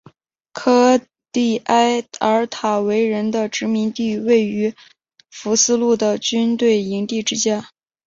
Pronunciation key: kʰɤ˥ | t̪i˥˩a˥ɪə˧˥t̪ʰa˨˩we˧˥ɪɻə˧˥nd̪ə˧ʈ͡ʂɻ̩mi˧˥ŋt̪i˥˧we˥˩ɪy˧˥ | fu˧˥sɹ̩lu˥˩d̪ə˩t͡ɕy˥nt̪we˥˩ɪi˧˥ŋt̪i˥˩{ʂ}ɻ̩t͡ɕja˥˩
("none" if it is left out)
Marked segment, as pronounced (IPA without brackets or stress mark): ʈ͡ʂ